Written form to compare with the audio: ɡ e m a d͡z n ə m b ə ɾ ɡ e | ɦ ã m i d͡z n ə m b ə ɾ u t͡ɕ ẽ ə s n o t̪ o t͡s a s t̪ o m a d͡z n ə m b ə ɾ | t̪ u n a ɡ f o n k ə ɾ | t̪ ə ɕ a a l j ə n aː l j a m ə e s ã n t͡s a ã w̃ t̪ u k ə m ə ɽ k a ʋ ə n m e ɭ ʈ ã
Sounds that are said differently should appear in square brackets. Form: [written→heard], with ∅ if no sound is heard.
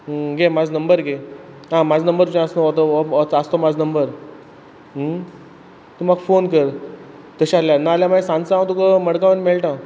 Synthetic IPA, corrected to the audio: ɡ e m a d͡z n ə m b ə ɾ ɡ e | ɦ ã m [i→a] d͡z n ə m b ə ɾ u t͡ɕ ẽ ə s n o t̪ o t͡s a s t̪ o m a d͡z n ə m b ə ɾ | t̪ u [n→m] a ɡ f o n k ə ɾ | t̪ ə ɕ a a l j [ə→a] n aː l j a m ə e s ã n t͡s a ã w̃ t̪ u k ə m ə ɽ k a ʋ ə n m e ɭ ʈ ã